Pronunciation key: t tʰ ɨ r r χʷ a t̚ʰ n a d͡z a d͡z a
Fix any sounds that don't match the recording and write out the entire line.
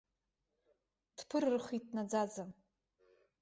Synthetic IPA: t pʰ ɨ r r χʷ i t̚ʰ n a d͡z a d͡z a

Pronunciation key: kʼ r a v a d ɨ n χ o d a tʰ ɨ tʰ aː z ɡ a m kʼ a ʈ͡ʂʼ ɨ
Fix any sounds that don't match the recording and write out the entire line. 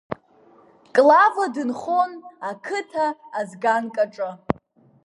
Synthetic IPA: kʼ l a v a d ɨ n χ o n a kʰ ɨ tʰ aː z ɡ a n kʼ a ʈ͡ʂʼ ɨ

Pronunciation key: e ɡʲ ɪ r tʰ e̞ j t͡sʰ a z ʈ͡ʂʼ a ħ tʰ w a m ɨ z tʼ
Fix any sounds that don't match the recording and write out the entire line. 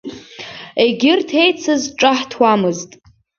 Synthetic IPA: e ɡʲ ɪ r tʰ e̞ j t͡sʰ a z ʈ͡ʂʼ a ħ tʰ w a m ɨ z tʼ

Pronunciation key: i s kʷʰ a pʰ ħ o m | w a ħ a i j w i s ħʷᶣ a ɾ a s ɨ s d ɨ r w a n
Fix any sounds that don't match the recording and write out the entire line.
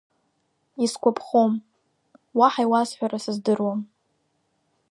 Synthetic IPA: i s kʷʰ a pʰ χ o m | w a ħ a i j w a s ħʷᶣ a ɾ a s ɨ z d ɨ r w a m

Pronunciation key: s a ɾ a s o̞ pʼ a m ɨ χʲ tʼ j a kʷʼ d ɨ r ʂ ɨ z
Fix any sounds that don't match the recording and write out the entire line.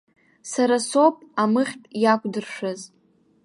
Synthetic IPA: s a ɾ a s o̞ pʼ a m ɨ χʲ tʼ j a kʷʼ d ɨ r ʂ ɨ z

